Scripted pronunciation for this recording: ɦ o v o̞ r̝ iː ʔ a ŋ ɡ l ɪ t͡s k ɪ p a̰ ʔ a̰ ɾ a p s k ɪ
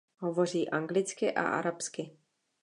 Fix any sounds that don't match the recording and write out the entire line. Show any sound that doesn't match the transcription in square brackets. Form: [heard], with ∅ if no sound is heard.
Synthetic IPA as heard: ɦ o v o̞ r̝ iː ʔ a ŋ ɡ l ɪ t͡s k ɪ [ʔ] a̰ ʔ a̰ ɾ a p s k ɪ